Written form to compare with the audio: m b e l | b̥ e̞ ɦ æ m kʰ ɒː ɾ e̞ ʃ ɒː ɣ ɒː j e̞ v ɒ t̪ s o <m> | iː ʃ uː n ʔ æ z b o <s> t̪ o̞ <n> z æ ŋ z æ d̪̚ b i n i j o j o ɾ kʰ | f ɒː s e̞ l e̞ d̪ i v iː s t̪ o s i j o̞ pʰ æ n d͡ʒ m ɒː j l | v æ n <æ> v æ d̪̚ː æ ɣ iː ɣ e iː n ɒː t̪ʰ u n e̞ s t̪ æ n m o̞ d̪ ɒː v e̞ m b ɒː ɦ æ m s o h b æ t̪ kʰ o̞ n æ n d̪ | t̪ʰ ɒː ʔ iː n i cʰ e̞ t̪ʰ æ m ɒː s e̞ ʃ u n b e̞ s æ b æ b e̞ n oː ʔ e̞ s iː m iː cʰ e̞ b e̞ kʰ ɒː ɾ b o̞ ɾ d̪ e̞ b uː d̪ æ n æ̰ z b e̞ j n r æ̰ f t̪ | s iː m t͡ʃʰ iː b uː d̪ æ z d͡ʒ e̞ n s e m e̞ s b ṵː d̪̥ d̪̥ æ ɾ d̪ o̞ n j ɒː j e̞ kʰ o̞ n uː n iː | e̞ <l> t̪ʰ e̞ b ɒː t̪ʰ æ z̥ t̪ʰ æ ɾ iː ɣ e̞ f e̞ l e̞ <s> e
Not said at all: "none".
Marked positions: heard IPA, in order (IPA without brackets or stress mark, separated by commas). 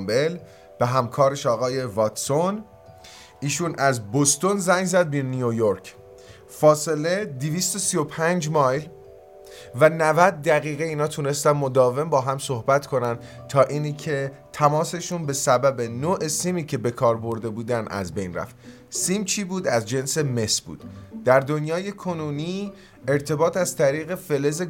n, s, n, æ, ɾ, z